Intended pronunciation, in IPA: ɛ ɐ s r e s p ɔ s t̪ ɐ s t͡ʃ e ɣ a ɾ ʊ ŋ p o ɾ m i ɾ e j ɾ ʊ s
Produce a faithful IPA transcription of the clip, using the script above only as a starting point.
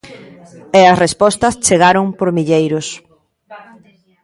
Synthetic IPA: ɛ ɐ s r e s p ɔ s t̪ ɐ s t͡ʃ e ɣ a ɾ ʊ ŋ p o ɾ m i ʎ e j ɾ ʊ s